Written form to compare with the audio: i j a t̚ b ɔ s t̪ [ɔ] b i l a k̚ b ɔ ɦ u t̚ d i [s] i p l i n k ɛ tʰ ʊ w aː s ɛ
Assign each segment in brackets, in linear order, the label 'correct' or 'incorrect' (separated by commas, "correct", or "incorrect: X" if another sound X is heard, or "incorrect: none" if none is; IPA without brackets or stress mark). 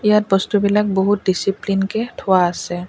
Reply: incorrect: u, correct